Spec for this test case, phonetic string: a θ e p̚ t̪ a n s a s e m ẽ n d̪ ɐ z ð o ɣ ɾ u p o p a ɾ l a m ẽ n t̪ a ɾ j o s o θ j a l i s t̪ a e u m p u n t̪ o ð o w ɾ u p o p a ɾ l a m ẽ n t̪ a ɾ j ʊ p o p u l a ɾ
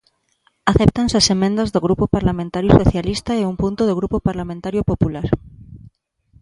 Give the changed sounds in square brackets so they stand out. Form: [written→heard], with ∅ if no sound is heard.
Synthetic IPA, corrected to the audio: a θ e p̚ t̪ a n s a s e m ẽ n d̪ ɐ z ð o ɣ ɾ u p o p a ɾ l a m ẽ n t̪ a ɾ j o s o θ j a l i s t̪ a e u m p u n t̪ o ð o [w→ɣ] ɾ u p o p a ɾ l a m ẽ n t̪ a ɾ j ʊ p o p u l a ɾ